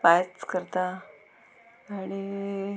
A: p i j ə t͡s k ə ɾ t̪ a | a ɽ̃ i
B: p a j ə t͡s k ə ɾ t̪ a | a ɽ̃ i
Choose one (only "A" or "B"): B